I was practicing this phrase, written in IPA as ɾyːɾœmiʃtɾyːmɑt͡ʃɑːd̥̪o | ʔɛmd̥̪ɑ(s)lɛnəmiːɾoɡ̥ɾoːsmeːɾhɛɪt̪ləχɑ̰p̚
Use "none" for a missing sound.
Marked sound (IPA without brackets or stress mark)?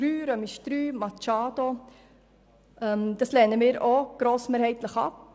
s